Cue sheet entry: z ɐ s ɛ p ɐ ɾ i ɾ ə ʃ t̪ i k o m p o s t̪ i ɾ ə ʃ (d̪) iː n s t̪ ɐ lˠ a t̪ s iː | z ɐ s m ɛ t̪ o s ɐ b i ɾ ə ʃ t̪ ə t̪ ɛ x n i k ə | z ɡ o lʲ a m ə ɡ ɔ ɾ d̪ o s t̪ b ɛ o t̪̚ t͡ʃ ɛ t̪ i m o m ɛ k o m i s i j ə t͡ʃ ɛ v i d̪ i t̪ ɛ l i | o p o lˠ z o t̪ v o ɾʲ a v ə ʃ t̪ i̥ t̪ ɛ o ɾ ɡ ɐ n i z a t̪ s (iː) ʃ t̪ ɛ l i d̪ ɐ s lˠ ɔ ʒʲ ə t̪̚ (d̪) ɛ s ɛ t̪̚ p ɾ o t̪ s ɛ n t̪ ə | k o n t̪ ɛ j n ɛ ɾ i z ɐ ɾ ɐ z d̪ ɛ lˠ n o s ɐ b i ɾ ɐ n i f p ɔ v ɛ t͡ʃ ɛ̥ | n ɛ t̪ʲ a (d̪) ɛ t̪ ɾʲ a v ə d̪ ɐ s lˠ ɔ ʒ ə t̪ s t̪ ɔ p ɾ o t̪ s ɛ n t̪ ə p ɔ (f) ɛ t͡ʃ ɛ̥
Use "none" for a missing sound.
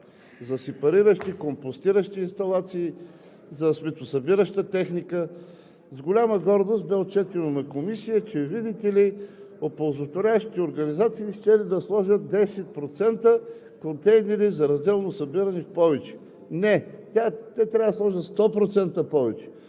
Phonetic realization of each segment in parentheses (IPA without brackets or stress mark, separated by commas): t̪, iː, d̪, t̪, v